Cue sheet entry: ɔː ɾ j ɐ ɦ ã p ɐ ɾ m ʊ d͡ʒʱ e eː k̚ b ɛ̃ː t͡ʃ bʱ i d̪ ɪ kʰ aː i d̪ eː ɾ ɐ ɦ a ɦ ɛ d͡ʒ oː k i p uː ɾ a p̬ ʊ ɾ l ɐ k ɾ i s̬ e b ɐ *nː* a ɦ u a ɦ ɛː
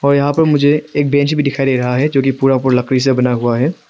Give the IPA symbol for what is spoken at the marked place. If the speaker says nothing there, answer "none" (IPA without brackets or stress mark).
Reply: n